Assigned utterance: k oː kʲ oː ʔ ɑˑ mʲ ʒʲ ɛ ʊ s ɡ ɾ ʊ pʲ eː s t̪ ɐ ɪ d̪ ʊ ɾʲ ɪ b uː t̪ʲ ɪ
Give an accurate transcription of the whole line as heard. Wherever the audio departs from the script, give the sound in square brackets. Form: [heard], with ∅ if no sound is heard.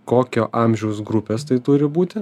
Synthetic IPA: k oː kʲ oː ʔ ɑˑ mʲ ʒʲ ɛ ʊ s ɡ ɾ ʊ pʲ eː s t̪ ɐ ɪ [t̪] ʊ ɾʲ ɪ b uː t̪ʲ ɪ